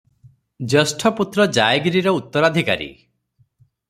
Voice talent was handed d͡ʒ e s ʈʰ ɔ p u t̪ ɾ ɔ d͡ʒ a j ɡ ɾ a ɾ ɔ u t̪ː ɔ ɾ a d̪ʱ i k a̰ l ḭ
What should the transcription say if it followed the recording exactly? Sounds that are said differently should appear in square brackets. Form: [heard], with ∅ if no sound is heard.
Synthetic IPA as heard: d͡ʒ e s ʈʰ ɔ p u t̪ ɾ ɔ d͡ʒ a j ɡ ɾ [i] ɾ ɔ u t̪ː ɔ ɾ a d̪ʱ i k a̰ [ɾ] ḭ